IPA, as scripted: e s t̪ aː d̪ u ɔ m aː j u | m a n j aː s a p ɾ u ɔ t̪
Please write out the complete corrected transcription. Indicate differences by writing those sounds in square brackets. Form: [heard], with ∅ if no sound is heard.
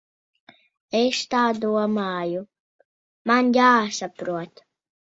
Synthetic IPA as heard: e s t̪ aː d̪ u ɔ m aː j u | m a n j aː s a p ɾ u ɔ t̪